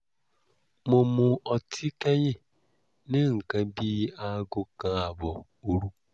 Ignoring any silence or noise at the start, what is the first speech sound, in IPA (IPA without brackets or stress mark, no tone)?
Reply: m